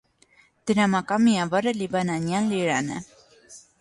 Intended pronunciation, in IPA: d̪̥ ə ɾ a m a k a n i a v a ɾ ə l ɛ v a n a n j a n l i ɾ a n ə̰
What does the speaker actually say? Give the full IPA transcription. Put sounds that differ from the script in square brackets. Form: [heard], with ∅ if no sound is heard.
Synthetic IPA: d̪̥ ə ɾ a m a k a [m] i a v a ɾ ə l [i] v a n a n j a n l i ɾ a n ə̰